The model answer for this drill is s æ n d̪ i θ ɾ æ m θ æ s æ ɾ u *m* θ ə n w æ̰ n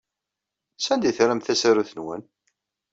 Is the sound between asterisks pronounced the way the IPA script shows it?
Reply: no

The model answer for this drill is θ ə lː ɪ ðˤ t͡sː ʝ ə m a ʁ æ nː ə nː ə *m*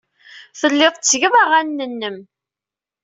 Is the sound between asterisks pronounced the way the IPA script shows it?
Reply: yes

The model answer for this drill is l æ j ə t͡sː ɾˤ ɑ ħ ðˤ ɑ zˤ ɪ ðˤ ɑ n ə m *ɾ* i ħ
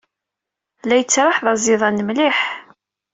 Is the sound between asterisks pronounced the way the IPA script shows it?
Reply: no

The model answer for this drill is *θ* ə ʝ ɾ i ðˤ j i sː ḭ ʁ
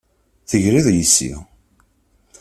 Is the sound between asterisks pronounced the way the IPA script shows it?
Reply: yes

